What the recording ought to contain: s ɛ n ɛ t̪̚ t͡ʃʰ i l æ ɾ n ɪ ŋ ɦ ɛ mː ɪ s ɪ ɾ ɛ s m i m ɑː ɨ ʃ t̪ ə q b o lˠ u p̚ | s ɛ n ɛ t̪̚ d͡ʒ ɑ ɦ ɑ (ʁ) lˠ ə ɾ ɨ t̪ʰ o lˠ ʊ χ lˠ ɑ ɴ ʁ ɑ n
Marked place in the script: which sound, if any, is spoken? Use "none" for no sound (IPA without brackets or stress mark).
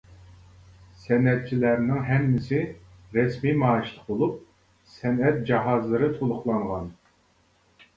z